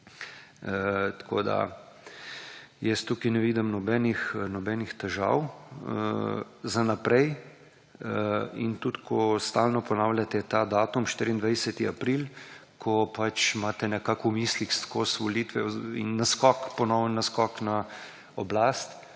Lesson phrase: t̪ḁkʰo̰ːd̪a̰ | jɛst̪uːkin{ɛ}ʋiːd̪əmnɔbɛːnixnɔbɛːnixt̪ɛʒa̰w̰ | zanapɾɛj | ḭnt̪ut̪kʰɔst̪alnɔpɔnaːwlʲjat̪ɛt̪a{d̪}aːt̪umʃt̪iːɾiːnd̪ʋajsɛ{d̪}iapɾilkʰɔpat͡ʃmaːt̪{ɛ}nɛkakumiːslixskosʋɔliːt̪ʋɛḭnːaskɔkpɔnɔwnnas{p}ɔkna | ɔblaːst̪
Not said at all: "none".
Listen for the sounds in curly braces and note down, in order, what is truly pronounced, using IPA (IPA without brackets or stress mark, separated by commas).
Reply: ɛ, d̪, t̪, ɛ, k